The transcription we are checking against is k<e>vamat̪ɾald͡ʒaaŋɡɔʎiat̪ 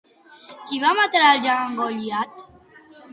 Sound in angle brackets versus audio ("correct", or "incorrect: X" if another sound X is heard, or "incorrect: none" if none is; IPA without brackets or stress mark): incorrect: i